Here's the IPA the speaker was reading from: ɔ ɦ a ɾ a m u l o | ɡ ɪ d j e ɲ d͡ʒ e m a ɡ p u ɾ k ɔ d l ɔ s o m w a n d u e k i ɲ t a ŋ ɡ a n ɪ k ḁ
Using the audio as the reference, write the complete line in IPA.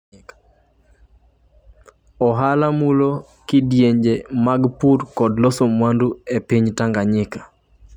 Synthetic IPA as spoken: ɔ ɦ a l a m u l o | k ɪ d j e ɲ d͡ʒ e m a ɡ p u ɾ k ɔ d l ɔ s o m w a n d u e p i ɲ t a ŋ ɡ a ɲ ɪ k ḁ